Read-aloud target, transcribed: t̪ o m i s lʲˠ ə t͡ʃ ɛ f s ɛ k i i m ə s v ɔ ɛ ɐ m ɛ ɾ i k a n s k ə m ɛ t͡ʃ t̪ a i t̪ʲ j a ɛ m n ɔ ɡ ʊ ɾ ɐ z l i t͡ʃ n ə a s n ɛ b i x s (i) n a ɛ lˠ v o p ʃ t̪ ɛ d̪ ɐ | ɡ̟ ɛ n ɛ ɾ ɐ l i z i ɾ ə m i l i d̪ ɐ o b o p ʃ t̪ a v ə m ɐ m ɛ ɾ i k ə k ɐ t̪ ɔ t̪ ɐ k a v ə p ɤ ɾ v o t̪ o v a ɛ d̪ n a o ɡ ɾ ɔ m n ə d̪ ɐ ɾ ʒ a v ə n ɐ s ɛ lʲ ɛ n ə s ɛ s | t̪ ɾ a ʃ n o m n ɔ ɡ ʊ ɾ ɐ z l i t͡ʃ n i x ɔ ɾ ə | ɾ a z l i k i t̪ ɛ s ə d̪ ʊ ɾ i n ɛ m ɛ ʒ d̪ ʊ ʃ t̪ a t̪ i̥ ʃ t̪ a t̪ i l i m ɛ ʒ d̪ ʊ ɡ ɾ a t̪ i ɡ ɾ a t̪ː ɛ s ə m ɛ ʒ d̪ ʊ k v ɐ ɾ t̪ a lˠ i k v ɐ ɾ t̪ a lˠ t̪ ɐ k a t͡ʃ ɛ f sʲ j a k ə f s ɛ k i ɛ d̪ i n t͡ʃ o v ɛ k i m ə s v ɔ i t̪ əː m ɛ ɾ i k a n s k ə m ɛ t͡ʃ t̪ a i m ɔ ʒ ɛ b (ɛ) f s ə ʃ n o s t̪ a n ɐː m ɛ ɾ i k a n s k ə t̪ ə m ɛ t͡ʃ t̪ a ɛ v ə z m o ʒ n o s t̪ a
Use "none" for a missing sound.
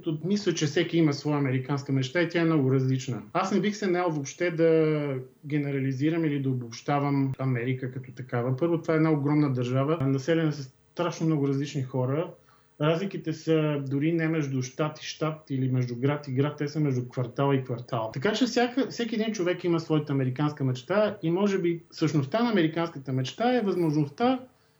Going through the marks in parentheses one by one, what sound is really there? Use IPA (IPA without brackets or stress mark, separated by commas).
ɛ, i